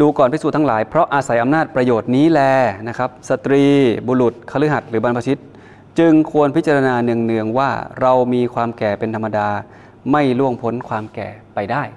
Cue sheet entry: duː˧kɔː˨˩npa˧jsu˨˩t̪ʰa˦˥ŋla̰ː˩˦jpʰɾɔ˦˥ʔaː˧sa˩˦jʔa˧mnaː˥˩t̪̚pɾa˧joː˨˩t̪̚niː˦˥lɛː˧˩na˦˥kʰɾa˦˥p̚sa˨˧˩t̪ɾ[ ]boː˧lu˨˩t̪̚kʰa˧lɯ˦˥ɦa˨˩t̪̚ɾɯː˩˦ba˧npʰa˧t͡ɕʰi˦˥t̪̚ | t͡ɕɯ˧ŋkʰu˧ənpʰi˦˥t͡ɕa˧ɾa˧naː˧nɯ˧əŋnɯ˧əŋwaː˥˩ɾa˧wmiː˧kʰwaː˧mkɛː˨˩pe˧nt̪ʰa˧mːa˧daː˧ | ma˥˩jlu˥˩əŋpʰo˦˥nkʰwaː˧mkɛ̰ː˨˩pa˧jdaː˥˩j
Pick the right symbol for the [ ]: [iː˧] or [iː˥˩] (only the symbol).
iː˧